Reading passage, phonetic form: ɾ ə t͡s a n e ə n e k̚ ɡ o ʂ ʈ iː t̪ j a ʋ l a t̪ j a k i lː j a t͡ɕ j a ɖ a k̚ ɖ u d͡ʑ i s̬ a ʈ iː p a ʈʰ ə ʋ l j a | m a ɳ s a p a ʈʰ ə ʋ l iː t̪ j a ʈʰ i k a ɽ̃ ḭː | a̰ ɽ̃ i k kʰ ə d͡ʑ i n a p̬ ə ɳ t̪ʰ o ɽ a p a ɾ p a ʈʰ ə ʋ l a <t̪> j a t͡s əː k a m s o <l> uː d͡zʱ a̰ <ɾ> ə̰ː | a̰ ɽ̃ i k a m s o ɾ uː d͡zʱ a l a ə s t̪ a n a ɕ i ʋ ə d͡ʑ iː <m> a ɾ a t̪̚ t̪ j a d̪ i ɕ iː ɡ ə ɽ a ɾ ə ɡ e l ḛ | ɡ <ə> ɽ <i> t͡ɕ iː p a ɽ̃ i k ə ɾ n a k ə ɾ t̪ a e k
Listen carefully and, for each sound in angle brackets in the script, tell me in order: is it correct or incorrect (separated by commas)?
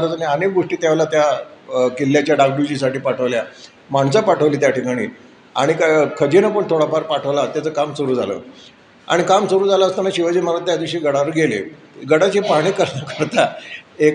correct, incorrect, incorrect, correct, correct, incorrect